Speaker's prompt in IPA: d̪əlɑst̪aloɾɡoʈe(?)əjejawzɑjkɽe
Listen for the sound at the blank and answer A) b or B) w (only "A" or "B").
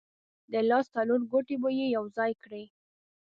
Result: A